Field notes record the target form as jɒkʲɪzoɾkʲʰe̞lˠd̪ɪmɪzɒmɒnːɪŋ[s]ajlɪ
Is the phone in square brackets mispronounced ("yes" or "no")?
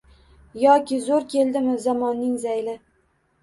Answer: yes